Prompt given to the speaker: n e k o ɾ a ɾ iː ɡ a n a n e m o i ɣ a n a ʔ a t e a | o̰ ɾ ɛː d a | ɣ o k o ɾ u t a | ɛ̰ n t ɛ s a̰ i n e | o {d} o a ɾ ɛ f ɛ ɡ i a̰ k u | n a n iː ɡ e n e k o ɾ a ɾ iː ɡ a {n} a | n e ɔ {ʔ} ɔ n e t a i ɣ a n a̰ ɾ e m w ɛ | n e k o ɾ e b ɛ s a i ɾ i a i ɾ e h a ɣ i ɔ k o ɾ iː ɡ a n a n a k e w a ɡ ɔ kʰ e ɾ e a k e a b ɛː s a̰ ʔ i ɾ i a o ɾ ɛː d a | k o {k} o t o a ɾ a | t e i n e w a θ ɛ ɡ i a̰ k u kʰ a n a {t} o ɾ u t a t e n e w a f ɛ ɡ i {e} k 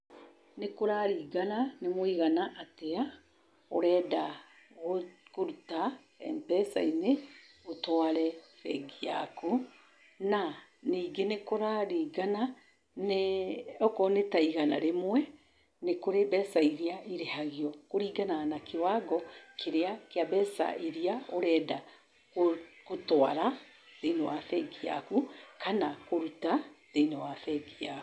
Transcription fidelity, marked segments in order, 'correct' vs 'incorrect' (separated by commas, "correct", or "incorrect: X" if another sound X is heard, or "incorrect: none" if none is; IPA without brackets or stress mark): incorrect: t, correct, incorrect: k, correct, incorrect: k, incorrect: a